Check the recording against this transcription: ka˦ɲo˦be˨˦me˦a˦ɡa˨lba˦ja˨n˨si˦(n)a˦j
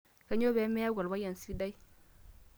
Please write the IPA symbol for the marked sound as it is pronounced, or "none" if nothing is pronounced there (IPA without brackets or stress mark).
d